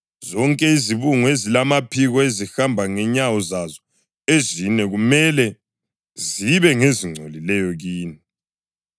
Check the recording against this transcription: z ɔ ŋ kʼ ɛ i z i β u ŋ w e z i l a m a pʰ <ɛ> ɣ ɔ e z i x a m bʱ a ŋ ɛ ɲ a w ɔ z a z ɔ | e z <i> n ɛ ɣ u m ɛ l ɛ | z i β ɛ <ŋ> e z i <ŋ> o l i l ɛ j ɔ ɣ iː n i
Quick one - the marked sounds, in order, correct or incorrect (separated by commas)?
incorrect, correct, correct, incorrect